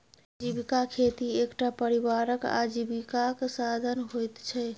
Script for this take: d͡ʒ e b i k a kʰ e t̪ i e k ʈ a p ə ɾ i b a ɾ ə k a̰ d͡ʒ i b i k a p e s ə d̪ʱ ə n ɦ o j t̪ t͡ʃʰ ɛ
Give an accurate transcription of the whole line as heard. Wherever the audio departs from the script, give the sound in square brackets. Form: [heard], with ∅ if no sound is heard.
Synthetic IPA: d͡ʒ [i] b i k a kʰ e t̪ i e k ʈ a p ə ɾ i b a ɾ ə k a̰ d͡ʒ i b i k a [k] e s [a] d̪ʱ ə n ɦ o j t̪ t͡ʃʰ ɛ